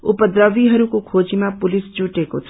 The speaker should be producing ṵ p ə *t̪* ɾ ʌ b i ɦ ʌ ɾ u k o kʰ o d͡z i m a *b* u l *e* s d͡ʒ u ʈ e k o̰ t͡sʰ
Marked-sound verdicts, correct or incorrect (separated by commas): incorrect, incorrect, incorrect